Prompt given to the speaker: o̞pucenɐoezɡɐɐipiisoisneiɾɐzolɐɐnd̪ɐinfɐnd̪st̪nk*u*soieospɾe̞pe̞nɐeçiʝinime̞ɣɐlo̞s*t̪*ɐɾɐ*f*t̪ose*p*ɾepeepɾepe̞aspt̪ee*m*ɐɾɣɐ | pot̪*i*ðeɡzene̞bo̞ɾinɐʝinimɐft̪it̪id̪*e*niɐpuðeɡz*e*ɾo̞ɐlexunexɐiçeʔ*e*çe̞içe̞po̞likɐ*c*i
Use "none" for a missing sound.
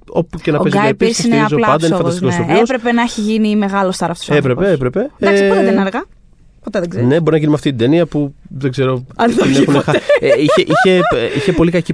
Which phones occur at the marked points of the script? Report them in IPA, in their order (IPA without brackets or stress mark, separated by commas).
o, t̪, f, p, n, e, e, e, i, c